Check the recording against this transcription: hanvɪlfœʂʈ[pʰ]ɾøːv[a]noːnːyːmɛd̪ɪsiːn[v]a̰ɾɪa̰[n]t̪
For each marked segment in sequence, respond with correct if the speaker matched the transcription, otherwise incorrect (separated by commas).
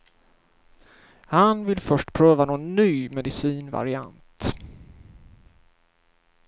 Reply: correct, correct, correct, correct